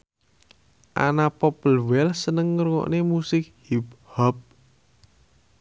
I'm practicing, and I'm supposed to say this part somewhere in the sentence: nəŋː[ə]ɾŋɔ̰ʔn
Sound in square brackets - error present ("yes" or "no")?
no